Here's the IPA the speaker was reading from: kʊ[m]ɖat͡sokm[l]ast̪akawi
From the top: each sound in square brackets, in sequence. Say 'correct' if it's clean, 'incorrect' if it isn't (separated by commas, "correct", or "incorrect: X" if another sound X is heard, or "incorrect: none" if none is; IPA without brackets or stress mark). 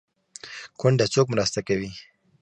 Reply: incorrect: ɳ, incorrect: ɾ